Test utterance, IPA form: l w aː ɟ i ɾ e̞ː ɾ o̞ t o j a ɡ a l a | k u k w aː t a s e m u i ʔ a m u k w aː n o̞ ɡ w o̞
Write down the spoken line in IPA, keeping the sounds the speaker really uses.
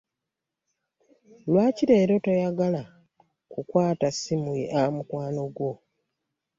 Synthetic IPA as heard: l w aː c i ɾ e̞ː ɾ o̞ t o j a ɡ a l a | k u k w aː t a s i m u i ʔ a m u k w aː n o̞ ɡ w o̞